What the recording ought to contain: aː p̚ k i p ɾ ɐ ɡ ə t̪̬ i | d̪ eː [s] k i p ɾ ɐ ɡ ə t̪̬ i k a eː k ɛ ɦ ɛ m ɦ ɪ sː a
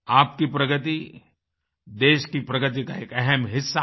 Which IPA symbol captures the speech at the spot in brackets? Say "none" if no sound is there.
ʃ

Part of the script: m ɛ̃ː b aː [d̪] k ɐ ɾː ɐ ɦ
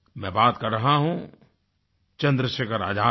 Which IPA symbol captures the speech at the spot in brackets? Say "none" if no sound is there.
t̪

